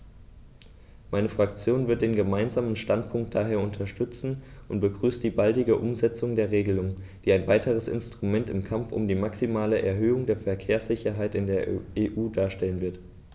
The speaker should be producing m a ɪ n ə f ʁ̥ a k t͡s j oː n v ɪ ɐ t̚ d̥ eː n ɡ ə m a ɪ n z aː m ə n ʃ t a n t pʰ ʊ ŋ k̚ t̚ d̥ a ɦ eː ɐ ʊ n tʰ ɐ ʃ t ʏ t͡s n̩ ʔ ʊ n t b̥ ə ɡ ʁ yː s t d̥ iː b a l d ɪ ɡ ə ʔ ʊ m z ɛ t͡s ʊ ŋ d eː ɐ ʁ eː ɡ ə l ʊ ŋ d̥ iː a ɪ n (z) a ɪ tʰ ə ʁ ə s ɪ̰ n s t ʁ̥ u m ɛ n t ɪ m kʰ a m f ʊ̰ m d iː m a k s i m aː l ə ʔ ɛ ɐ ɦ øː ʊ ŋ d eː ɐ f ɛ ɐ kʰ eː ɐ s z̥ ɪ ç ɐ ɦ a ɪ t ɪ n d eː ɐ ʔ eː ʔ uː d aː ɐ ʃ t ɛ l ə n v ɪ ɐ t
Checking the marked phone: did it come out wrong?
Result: yes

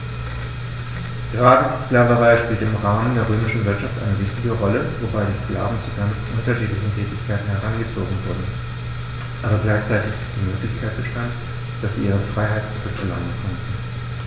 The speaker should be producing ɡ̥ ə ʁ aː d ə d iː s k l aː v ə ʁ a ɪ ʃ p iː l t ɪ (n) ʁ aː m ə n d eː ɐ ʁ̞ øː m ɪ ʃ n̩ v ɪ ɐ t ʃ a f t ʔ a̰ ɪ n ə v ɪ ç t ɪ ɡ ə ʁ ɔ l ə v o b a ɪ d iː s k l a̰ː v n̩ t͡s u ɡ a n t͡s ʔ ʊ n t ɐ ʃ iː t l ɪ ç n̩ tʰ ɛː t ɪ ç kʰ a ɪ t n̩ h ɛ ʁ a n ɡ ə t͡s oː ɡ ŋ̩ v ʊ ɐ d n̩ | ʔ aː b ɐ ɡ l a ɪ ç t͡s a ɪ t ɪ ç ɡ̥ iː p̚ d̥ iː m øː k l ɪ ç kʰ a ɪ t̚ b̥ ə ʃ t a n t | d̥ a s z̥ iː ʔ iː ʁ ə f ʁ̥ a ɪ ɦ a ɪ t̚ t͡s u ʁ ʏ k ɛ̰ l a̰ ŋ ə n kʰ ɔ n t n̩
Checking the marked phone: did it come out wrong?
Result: yes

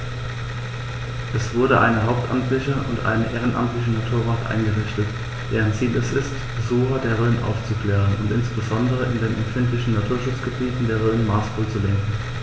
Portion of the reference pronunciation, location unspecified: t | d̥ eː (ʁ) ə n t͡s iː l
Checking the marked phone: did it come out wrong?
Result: no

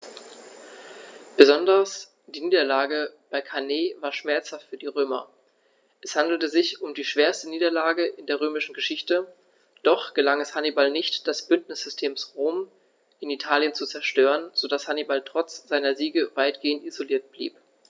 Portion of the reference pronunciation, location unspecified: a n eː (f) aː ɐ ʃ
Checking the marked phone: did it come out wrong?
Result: yes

